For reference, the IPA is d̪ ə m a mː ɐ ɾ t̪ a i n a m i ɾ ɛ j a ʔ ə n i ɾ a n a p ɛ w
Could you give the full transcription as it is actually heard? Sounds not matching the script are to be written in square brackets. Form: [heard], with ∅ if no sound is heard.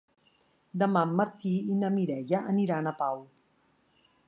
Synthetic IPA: d̪ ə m a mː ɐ ɾ t̪ [i] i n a m i ɾ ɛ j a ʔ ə n i ɾ a n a p [a] w